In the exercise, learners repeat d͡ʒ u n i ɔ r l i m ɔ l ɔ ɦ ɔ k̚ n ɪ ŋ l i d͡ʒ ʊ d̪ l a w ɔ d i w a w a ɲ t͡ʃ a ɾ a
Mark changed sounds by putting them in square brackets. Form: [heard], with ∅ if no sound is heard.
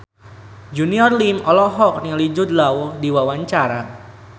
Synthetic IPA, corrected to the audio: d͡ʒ u n i ɔ r l i m ɔ l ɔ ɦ ɔ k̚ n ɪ ŋ l i d͡ʒ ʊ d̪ l a w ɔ d i w a w a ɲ t͡ʃ a ɾ a

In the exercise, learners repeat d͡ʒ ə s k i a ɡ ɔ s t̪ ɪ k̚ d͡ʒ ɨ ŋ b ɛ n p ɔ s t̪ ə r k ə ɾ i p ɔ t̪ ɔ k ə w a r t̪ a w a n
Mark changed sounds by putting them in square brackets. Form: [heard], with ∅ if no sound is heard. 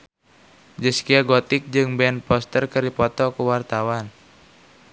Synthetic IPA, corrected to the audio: d͡ʒ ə s k i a ɡ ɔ [∅] t̪ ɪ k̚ d͡ʒ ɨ ŋ b ɛ n p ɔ s t̪ ə r k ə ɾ i p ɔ t̪ ɔ k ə w a r t̪ a w a n

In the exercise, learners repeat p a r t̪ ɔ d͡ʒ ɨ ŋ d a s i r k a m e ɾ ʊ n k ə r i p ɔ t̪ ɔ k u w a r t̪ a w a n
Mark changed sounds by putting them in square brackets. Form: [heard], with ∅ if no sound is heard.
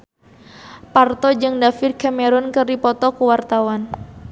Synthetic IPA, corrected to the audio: p a r t̪ ɔ d͡ʒ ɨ ŋ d a [f] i r k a m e ɾ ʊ n k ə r i p ɔ t̪ ɔ k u w a r t̪ a w a n

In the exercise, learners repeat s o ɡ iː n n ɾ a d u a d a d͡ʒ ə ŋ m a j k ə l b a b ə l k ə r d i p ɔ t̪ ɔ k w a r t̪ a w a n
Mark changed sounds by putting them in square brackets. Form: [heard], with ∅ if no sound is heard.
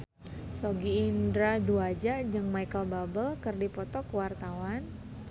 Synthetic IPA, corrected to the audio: s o ɡ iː n [d] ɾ a d u a [d͡ʒ] a d͡ʒ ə ŋ m a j k ə l b a b ə l k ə r d i p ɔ t̪ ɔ k w a r t̪ a w a n

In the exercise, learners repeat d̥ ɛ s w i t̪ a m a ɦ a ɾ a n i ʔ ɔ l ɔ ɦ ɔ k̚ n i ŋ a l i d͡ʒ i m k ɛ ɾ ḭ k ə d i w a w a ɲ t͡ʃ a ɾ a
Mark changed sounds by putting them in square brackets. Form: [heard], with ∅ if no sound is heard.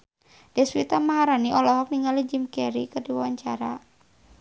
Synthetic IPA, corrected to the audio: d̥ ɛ s w i t̪ a m a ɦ a ɾ a n i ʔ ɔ l ɔ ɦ ɔ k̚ n i ŋ a l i d͡ʒ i m k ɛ ɾ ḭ k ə d i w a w a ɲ t͡ʃ a ɾ a

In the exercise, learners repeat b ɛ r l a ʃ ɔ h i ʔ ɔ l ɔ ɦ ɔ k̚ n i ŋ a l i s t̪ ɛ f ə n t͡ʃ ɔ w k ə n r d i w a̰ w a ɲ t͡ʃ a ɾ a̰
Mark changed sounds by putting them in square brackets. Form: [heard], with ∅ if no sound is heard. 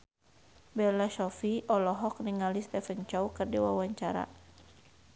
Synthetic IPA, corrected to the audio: b ɛ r l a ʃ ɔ [f] i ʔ ɔ l ɔ ɦ ɔ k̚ n i ŋ a l i s t̪ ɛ f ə n t͡ʃ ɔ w k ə [∅] r d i w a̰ w a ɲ t͡ʃ a ɾ a̰

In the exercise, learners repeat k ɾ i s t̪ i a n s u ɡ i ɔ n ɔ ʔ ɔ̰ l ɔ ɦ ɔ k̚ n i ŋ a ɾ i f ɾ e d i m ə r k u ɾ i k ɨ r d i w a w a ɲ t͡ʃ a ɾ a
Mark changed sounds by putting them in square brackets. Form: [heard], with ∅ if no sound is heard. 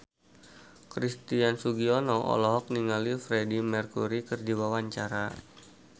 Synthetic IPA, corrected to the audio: k ɾ i s t̪ i a n s u ɡ i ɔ n ɔ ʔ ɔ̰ l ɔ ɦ ɔ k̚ n i ŋ a [l] i f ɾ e d i m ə r k u ɾ i k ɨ r d i w a w a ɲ t͡ʃ a ɾ a

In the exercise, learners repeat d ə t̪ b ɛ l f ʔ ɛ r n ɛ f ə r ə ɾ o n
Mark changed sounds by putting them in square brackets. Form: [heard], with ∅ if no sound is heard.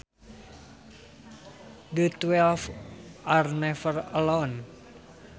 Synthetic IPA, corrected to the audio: d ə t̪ [w] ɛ l f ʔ [a] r n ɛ f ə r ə [l] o n

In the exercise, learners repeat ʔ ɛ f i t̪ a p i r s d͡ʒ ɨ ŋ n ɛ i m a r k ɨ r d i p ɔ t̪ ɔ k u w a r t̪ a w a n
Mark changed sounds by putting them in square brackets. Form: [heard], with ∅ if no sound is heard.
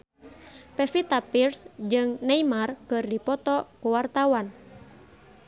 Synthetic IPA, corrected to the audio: [p] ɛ f i t̪ a p i r s d͡ʒ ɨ ŋ n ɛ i m a r k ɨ r d i p ɔ t̪ ɔ k u w a r t̪ a w a n

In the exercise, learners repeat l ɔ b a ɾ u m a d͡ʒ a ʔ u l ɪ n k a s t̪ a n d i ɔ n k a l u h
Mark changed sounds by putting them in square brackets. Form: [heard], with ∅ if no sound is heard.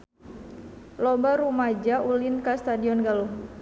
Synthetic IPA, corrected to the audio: l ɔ b a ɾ u m a d͡ʒ a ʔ u l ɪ n k a s t̪ a [∅] d i ɔ n [ɡ] a l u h

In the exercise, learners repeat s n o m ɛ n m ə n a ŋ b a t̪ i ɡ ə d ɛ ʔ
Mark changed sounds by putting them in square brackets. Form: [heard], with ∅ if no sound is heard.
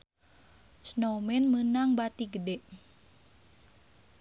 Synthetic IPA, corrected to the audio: s n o m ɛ n m ə n a ŋ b a t̪ i ɡ ə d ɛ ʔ

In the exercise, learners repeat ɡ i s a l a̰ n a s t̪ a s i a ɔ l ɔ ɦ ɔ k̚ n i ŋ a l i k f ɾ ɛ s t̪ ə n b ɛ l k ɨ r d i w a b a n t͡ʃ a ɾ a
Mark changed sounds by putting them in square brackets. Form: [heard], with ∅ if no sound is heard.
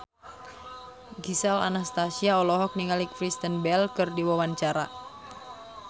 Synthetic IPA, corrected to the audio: ɡ i s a l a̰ n a s t̪ a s i a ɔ l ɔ ɦ ɔ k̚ n i ŋ a l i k f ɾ [i] s t̪ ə n b ɛ l k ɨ r d i w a [w] a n t͡ʃ a ɾ a

